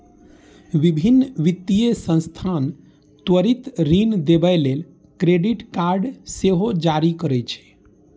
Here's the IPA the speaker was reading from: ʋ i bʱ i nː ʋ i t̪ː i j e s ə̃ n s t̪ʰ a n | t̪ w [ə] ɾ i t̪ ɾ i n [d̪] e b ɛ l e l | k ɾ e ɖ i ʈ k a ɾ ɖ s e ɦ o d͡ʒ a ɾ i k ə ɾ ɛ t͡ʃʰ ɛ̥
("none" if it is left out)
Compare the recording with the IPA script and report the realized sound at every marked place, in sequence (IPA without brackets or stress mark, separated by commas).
ə, d̪